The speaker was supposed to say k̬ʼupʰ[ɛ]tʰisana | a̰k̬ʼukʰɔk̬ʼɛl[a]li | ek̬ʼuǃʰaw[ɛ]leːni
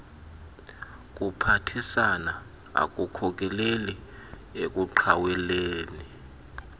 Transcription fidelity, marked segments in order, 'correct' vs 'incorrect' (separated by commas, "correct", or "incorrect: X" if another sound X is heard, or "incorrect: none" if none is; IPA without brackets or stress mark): incorrect: a, incorrect: e, correct